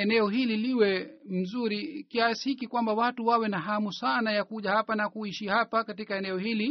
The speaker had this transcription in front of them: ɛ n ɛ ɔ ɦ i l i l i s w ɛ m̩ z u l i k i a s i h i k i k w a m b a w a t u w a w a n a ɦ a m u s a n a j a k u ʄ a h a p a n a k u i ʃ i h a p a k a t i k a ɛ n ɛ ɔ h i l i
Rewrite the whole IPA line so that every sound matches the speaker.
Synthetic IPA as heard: ɛ n ɛ ɔ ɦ i l i l i w ɛ m̩ z u ɾ i k i a s i h i k i k w a m b a w a t u w a w ɛ n a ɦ a m u s a n a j a k u ʄ a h a p a n a k u i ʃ i h a p a k a t i k a ɛ n ɛ ɔ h i l i